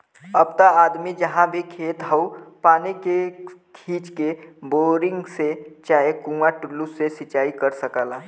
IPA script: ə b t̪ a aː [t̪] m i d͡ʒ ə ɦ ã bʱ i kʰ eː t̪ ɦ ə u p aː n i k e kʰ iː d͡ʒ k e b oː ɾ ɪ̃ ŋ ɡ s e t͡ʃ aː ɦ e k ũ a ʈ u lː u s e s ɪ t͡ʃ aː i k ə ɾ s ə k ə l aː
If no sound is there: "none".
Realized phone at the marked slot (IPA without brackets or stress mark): d̪